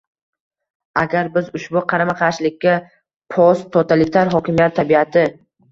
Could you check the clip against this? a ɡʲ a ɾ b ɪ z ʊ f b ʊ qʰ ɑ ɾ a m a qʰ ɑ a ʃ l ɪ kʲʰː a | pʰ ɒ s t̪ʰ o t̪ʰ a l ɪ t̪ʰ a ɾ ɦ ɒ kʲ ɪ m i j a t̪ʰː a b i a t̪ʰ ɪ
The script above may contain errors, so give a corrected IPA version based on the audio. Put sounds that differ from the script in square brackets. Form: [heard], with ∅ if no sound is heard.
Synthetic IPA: a ɡʲ a ɾ b ɪ z ʊ [ʃ] b ʊ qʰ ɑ ɾ a m a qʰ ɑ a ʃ l ɪ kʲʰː a | pʰ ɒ s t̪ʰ o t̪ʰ a l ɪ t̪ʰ a ɾ ɦ ɒ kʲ ɪ m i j a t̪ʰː a b i a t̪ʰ ɪ